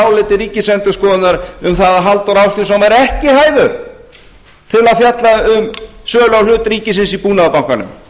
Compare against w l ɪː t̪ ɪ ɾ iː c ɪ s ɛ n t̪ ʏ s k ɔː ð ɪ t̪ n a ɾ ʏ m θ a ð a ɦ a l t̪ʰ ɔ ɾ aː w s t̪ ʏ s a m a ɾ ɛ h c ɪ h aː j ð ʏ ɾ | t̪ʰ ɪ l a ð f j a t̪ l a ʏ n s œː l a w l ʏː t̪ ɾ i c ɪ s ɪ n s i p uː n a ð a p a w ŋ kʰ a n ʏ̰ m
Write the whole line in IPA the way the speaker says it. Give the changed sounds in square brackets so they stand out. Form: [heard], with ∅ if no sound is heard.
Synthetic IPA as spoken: w l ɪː t̪ ɪ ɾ iː c ɪ s ɛ n t̪ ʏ s k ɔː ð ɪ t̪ n a ɾ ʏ m θ a ð a ɦ a l [t̪] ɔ ɾ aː w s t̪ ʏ s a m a ɾ ɛ h c ɪ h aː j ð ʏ ɾ | t̪ʰ ɪ l a ð f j a t̪ l a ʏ [m] s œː l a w l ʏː t̪ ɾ [iː] c ɪ s ɪ n s i p uː n a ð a p a w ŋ [k] a n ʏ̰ m